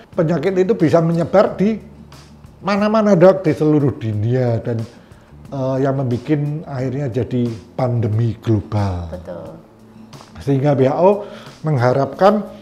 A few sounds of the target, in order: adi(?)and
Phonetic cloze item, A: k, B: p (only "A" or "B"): B